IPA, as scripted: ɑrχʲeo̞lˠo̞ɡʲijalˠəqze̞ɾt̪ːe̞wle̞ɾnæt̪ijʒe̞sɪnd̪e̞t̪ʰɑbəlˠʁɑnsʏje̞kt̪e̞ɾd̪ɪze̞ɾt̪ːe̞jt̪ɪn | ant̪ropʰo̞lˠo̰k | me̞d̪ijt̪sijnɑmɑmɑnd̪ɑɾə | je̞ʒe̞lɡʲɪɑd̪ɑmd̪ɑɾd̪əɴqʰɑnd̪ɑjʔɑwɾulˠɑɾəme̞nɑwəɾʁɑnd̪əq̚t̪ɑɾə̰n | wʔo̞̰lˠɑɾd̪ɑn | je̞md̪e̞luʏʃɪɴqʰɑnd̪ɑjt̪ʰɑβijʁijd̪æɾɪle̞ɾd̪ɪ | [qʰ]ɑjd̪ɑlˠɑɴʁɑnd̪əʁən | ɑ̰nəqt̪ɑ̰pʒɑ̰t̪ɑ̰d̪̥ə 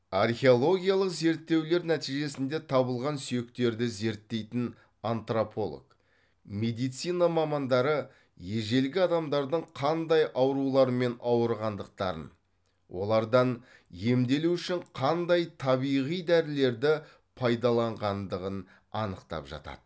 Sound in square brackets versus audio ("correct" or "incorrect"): incorrect